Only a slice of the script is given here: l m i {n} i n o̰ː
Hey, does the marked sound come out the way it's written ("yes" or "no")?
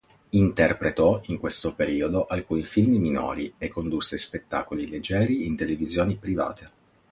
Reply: no